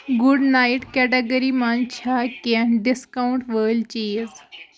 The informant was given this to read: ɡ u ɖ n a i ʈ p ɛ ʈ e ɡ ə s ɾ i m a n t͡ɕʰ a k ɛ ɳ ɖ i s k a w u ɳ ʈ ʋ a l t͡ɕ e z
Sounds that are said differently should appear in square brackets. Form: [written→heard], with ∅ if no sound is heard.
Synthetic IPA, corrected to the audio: ɡ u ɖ n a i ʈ [p→k] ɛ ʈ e ɡ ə [s→∅] ɾ i m a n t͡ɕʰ a k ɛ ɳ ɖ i s k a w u ɳ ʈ ʋ [a→ə] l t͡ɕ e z